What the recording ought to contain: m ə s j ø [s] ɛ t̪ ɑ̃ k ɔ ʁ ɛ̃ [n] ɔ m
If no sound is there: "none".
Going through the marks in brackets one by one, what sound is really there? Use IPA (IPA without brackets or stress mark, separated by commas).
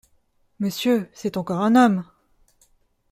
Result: s, n